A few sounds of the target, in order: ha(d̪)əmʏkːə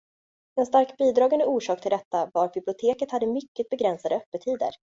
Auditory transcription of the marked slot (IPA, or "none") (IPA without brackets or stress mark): d̪ː